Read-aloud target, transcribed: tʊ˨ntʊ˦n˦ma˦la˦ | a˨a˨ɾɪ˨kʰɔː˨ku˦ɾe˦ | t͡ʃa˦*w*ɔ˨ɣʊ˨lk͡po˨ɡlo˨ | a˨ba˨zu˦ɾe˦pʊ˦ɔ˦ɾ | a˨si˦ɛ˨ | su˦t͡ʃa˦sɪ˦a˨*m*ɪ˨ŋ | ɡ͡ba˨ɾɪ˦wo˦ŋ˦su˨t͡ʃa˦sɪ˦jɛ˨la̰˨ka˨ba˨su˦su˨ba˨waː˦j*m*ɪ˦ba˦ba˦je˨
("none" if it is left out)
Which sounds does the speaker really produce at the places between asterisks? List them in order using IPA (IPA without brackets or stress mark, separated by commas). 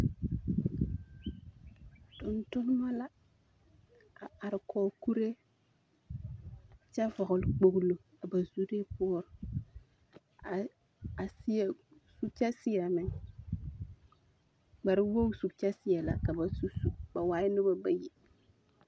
v, m, n